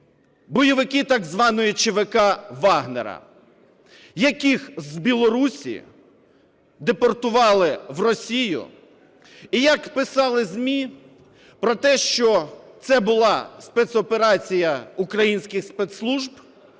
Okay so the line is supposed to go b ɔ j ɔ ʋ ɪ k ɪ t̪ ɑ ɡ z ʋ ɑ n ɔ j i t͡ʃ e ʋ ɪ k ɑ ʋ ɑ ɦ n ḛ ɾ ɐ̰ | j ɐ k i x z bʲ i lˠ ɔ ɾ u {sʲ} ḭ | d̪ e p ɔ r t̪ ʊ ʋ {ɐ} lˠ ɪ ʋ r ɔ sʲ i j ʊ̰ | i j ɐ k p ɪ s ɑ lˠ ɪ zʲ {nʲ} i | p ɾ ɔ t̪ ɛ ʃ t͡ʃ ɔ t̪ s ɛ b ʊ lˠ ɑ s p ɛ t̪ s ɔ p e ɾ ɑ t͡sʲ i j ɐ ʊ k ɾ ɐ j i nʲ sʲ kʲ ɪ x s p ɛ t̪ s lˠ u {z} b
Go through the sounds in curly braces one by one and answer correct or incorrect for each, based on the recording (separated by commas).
correct, incorrect, incorrect, incorrect